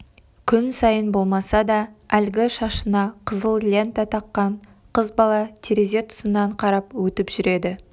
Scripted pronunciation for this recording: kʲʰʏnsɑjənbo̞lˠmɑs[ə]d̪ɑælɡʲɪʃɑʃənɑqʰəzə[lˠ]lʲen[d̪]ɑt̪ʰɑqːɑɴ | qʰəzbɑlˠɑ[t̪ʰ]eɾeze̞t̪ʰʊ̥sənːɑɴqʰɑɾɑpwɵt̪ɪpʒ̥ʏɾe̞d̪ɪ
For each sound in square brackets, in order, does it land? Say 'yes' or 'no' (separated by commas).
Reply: no, yes, no, yes